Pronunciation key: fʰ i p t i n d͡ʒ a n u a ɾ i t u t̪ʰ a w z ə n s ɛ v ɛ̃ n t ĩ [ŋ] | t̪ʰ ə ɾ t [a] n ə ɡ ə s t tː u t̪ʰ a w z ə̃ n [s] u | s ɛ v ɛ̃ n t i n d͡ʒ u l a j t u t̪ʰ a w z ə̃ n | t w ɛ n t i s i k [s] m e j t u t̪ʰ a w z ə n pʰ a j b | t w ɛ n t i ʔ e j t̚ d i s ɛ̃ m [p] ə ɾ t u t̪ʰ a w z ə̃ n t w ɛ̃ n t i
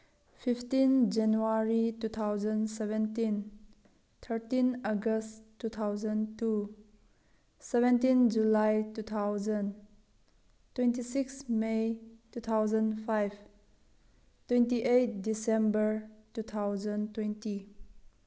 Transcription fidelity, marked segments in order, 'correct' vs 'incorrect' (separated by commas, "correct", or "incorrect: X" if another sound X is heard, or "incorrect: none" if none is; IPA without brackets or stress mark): incorrect: n, incorrect: i, incorrect: t, correct, incorrect: b